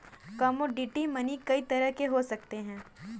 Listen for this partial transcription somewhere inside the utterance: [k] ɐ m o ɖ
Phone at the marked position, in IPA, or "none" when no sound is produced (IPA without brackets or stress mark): k